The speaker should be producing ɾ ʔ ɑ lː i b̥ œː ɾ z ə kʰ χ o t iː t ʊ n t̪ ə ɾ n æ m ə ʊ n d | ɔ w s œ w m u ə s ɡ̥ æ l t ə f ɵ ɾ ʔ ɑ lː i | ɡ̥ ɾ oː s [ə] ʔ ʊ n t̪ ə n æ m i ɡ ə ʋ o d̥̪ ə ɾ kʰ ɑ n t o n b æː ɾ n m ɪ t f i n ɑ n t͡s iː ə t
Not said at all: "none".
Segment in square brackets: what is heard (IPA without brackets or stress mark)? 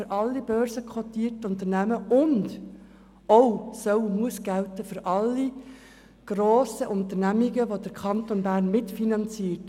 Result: ə